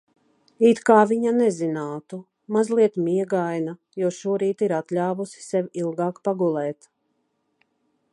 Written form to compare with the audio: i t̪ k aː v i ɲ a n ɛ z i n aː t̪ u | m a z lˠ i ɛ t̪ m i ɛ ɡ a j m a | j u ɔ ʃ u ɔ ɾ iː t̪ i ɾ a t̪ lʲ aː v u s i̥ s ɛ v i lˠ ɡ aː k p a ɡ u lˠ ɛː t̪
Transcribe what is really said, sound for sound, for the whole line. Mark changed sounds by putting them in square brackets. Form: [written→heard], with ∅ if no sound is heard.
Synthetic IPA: i t̪ k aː v i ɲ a n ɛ z i n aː t̪ u | m a z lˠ i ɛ t̪ m i ɛ ɡ a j [m→n] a | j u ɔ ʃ u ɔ ɾ iː t̪ i ɾ a t̪ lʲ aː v u s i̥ s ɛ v i lˠ ɡ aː k p a ɡ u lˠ ɛː t̪